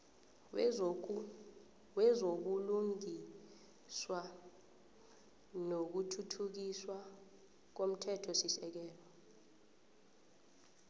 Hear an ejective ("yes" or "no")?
no